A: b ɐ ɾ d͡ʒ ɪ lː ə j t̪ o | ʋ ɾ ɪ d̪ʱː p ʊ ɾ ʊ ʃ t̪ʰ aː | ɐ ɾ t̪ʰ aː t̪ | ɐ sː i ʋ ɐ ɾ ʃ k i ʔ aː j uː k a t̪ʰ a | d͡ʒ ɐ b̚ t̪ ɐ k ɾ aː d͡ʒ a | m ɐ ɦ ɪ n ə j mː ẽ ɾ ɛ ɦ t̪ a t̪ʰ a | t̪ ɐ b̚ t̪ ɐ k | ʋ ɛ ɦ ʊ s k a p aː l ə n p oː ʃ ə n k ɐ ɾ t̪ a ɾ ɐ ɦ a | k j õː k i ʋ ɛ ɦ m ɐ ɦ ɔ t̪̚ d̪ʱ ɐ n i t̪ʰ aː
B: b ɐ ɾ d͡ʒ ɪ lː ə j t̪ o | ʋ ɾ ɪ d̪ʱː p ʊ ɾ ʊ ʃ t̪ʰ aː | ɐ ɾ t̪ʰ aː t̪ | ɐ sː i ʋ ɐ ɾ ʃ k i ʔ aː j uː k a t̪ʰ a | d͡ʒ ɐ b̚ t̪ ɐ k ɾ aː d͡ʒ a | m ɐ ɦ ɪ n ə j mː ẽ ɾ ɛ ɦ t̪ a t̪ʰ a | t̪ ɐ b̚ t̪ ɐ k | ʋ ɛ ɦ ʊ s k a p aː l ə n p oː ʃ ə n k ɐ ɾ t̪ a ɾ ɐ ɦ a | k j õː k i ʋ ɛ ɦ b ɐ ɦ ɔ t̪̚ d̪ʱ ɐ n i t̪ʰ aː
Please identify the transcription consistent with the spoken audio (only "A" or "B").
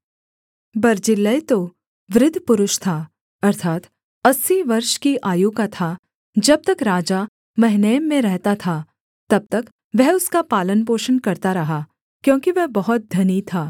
B